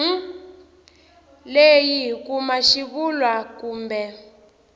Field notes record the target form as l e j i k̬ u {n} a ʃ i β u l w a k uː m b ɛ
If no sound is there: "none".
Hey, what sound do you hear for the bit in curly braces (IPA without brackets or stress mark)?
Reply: m